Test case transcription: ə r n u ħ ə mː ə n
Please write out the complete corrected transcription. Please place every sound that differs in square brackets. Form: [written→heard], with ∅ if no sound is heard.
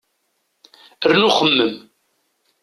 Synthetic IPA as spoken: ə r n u [ħ→χ] ə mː ə [n→m]